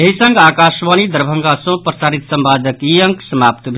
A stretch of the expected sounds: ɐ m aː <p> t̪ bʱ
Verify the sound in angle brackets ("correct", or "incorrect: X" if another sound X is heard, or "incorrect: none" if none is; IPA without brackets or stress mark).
correct